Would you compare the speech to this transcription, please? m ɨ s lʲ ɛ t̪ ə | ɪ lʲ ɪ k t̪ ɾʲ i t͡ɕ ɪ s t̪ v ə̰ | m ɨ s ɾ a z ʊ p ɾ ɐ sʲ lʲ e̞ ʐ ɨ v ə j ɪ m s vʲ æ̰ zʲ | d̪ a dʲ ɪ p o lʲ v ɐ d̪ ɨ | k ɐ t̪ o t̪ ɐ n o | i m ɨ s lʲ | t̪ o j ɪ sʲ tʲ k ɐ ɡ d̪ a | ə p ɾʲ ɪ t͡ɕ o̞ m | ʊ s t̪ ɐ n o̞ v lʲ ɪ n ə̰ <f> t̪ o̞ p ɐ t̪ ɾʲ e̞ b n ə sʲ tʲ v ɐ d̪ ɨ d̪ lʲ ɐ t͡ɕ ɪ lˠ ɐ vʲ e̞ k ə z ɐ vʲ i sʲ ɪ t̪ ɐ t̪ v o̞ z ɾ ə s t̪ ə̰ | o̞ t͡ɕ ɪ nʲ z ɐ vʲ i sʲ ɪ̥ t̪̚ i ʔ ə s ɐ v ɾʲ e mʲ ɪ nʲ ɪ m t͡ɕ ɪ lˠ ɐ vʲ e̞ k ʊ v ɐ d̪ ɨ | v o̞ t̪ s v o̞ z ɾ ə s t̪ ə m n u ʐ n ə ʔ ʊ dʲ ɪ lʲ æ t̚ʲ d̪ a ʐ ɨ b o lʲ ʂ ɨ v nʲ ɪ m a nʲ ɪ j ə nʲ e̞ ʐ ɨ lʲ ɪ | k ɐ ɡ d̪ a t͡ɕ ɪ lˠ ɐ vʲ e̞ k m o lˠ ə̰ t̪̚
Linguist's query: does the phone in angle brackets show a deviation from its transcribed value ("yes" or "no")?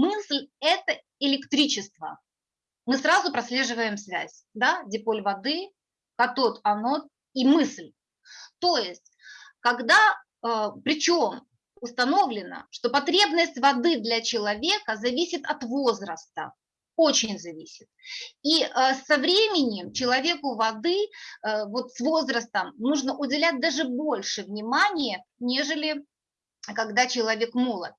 yes